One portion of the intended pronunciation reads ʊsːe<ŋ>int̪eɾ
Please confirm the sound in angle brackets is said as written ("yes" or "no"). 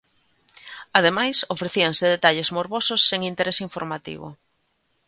yes